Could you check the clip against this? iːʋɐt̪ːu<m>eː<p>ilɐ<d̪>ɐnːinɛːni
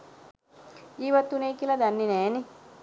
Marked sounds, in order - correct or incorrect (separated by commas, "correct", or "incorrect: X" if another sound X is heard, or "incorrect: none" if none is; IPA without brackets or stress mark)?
incorrect: n, incorrect: k, correct